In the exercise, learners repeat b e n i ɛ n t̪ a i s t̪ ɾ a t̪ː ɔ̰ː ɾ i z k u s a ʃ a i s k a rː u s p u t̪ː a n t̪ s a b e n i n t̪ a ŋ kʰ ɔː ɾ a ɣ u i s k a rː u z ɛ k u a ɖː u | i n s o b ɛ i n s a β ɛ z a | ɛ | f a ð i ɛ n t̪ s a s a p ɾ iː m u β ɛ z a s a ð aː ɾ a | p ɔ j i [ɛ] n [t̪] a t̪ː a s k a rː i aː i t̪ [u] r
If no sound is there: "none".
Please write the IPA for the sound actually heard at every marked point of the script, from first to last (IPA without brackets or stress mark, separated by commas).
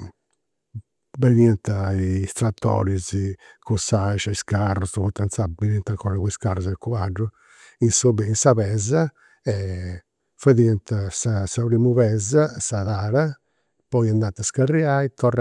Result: a, d̪, ɔ